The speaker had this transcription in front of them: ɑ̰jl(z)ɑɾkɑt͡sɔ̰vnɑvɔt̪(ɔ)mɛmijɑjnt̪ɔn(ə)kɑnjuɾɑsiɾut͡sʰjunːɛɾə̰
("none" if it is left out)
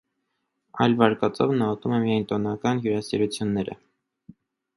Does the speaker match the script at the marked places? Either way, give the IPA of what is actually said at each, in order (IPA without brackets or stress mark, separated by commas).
v, u, ɑ